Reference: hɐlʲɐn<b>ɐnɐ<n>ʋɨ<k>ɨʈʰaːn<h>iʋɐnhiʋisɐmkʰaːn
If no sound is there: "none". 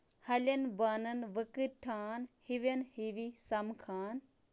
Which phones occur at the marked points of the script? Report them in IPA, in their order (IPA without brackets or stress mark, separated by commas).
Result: b, n, k, h